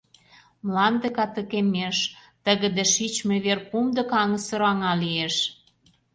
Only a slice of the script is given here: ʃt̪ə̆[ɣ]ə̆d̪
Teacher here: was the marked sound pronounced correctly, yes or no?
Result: yes